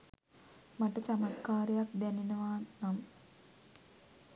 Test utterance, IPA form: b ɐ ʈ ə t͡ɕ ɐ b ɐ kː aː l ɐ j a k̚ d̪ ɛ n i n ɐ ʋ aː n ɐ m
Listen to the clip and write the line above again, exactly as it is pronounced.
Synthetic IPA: m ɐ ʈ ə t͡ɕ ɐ m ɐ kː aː ɾ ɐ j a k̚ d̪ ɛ n i n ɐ ʋ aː n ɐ m

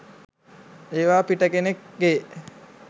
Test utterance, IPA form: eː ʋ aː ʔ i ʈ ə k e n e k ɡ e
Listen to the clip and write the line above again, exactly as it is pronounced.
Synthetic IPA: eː ʋ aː p i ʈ ə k e n e k ɡ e

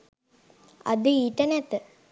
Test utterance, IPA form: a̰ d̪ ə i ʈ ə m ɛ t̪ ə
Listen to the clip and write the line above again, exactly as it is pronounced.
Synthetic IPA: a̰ d̪ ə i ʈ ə n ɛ t̪ ə

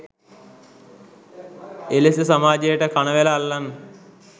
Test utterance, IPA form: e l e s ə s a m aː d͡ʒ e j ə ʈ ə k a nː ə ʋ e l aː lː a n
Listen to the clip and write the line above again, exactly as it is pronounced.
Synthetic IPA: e l e s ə s a m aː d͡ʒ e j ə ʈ ə k a n ə ʋ e l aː lː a n

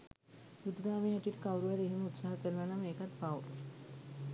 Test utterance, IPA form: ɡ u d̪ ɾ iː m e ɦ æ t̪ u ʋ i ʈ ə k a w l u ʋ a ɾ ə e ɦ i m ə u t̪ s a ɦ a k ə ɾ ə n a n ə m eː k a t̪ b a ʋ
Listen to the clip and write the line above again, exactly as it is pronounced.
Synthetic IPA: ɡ u d̪ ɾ aː m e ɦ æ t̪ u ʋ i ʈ ə k a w ɾ u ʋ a ɾ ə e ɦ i m ə u t̪ s a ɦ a k ə ɾ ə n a n a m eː k a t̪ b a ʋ

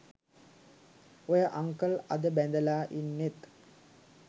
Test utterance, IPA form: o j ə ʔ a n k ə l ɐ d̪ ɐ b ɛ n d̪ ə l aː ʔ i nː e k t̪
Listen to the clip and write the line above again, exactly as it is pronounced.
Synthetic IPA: o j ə ʔ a ŋ k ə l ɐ d̪ ə b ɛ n d̪ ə l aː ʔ i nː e t̪

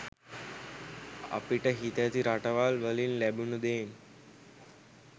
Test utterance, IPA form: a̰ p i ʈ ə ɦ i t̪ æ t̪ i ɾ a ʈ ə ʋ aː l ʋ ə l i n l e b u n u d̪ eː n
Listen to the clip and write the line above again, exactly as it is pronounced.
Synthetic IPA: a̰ p i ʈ ə ɦ i t̪ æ t̪ i ɾ a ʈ ə ʋ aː l ʋ ə l i n l æ b u n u d̪ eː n

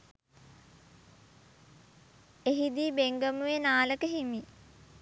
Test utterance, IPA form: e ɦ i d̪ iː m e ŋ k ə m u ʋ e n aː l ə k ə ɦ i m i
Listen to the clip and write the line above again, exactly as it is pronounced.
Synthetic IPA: e ɦ i d̪ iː b e ŋ ɡ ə m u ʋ e n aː l ə k ə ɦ i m i

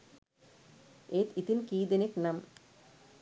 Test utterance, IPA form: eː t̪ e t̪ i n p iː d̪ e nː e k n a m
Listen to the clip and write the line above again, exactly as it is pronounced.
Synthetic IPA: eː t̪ i t̪ i n k iː d̪ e n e k n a m

